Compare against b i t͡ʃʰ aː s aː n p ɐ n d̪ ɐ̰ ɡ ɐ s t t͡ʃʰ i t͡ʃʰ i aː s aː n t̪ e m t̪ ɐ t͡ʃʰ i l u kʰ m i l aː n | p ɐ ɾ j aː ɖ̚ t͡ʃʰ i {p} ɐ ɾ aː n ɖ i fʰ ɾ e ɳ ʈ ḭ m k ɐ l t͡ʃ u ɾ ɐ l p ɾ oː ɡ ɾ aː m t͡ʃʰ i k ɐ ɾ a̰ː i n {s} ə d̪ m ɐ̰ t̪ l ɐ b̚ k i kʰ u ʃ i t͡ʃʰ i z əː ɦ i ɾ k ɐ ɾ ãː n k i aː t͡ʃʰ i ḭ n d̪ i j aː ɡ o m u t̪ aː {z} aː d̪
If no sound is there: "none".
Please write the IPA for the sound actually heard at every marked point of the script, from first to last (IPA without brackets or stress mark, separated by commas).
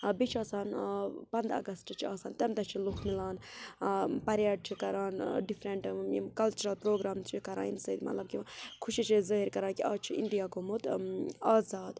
k, s, z